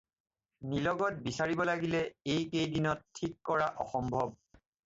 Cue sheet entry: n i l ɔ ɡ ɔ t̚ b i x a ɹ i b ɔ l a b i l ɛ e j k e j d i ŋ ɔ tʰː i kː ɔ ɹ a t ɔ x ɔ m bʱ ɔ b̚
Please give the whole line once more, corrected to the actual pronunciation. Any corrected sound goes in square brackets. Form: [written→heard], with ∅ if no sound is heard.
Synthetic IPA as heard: n i l ɔ ɡ ɔ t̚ b i [x→s] a ɹ i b ɔ l a [b→ɡ] i l ɛ e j k e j d i [ŋ→n] ɔ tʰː i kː ɔ ɹ a [t→ʔ] ɔ x ɔ m bʱ ɔ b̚